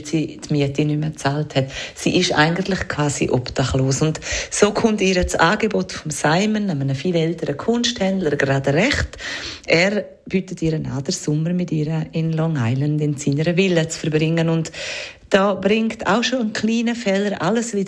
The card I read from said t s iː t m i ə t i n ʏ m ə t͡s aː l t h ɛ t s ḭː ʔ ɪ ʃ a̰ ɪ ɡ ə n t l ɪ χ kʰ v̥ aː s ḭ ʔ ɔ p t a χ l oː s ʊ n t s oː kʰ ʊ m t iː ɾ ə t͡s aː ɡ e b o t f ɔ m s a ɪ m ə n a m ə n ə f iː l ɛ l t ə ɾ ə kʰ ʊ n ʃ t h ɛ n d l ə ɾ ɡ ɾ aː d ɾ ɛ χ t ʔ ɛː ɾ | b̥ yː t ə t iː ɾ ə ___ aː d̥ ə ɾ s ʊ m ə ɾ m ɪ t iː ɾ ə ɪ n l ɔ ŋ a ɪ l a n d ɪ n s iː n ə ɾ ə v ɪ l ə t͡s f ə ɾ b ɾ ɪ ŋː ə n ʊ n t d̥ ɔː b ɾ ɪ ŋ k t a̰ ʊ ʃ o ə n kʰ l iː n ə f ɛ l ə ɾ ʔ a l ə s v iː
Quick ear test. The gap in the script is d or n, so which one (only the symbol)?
n